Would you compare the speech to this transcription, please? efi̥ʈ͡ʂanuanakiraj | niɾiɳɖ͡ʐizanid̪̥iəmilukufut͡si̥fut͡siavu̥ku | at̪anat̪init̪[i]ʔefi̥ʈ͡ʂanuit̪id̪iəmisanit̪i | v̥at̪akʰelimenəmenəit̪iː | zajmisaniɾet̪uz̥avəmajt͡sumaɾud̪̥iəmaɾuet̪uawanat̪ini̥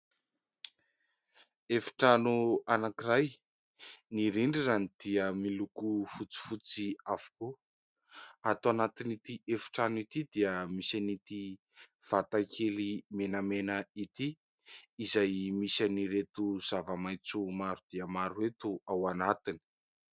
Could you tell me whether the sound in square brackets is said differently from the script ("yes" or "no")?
no